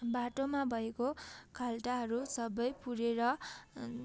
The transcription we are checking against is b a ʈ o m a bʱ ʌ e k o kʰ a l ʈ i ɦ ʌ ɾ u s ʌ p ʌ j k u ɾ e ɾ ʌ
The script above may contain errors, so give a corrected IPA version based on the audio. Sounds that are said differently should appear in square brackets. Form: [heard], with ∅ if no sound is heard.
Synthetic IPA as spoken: b a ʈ o m a bʱ ʌ e k o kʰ a l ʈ [a] ɦ ʌ ɾ u s ʌ [b] ʌ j [p] u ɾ e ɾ ʌ